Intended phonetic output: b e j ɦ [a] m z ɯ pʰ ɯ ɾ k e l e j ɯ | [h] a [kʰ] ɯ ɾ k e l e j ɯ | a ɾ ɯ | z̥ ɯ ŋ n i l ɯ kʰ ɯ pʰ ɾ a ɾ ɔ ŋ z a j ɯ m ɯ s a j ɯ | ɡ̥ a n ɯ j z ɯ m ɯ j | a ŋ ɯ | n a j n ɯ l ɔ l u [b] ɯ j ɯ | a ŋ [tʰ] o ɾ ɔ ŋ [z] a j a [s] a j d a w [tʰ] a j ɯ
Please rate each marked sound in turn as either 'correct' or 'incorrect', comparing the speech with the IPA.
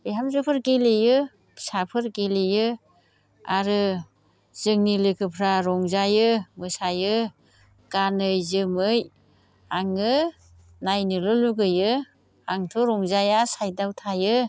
correct, incorrect, incorrect, incorrect, correct, correct, correct, correct

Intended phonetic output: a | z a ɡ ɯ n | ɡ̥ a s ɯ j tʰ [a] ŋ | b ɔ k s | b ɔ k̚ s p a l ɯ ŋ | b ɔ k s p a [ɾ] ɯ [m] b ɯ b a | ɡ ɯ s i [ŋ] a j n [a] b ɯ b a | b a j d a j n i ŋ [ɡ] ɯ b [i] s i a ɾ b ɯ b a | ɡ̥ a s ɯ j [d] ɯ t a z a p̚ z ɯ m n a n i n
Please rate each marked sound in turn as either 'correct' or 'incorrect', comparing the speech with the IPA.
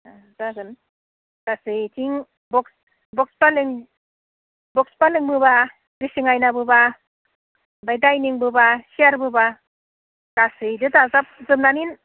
incorrect, incorrect, incorrect, correct, correct, incorrect, incorrect, correct

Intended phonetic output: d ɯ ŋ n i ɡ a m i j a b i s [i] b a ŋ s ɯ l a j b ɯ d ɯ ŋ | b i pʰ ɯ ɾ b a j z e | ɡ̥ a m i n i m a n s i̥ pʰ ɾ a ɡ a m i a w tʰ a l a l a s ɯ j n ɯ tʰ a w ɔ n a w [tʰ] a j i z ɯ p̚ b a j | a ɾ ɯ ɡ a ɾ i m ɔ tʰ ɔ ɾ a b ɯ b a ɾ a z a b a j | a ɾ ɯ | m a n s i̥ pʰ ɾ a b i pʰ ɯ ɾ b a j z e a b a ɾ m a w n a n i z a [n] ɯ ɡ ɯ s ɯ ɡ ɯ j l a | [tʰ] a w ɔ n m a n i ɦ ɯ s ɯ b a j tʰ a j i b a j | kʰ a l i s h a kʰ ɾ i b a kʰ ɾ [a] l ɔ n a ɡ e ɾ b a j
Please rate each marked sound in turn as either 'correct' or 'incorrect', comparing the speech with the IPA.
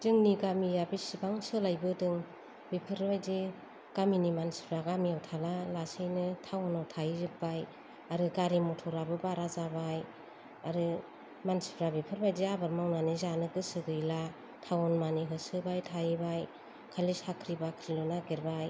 correct, correct, correct, correct, incorrect

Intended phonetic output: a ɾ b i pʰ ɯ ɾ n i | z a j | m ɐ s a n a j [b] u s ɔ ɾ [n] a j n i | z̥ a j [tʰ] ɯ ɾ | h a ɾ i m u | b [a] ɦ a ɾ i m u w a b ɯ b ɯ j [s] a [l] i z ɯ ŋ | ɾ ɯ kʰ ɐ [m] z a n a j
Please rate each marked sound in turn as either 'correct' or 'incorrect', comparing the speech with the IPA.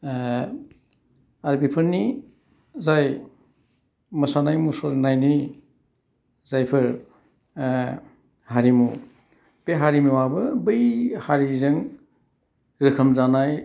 incorrect, correct, incorrect, incorrect, incorrect, incorrect, correct

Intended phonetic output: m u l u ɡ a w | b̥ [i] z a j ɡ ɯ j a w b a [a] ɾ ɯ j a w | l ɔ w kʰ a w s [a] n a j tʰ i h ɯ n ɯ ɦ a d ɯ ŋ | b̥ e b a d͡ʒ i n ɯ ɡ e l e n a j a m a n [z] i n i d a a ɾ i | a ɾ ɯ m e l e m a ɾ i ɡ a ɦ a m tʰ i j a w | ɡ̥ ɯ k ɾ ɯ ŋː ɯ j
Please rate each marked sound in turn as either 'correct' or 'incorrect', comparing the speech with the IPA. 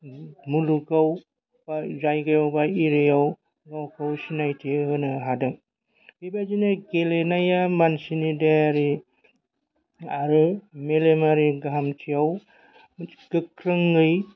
incorrect, incorrect, incorrect, incorrect

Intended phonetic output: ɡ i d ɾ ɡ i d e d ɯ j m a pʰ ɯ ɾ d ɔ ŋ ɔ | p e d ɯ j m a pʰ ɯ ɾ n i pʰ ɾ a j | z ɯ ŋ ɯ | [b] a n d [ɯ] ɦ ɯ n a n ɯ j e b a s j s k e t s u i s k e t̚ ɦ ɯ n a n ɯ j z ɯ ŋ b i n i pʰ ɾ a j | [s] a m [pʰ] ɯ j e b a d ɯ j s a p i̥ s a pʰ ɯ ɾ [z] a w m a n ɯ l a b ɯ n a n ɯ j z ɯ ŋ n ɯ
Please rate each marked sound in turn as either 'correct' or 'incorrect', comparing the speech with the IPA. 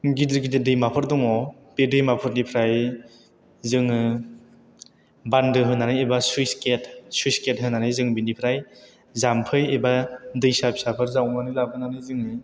correct, correct, incorrect, correct, correct

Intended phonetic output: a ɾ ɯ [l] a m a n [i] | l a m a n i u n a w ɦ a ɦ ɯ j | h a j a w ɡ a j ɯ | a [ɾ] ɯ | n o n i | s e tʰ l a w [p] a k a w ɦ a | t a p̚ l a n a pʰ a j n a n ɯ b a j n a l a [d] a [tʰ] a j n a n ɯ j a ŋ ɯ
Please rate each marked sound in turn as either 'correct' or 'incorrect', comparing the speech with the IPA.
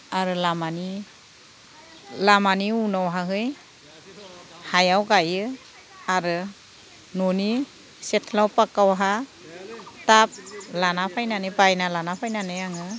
correct, correct, correct, correct, incorrect, incorrect

